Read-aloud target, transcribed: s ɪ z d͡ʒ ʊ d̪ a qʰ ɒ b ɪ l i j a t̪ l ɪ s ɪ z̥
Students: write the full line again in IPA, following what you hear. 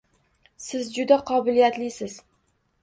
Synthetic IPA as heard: s ɪ z d͡ʒ ʊ d̪ a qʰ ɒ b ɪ l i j a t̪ l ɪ s ɪ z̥